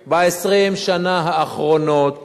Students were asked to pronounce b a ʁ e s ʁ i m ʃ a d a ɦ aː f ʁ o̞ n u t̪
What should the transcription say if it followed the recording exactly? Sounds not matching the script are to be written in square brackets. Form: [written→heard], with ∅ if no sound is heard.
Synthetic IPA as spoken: b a [ʁ→∅] e s ʁ i m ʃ a [d→n] a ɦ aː [f→χ] ʁ o̞ n [u→o] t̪